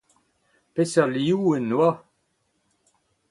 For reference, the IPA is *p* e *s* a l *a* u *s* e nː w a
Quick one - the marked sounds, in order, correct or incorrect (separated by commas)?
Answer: correct, correct, incorrect, incorrect